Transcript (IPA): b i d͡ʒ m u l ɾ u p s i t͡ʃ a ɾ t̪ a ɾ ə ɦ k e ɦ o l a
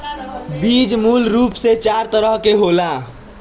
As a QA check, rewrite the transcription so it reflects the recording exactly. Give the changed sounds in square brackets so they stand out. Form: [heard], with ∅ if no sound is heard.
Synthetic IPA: b i d͡ʒ m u l ɾ u p s [e] t͡ʃ a ɾ t̪ [ə] ɾ ə ɦ k e ɦ o l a